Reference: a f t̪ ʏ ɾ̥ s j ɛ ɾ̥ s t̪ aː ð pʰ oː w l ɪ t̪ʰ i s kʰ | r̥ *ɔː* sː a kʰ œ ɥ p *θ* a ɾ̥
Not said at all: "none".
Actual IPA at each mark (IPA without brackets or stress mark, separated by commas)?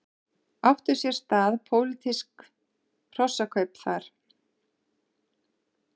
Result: ɔ, θ